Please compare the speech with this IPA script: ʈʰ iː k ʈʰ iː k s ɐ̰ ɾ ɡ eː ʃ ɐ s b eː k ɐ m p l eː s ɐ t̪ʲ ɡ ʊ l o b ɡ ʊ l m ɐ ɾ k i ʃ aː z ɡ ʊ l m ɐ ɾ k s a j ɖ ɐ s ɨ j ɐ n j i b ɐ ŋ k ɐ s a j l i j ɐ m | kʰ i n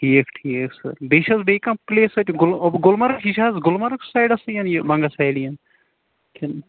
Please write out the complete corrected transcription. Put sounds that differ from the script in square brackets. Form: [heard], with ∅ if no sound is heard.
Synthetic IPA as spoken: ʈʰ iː k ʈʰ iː k s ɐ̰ ɾ [b] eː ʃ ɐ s b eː k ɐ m p l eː s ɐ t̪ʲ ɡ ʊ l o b ɡ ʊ l m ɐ ɾ k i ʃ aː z ɡ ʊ l m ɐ ɾ k s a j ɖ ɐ s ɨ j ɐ n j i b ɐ ŋ [ɡ] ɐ s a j l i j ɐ [n] | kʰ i n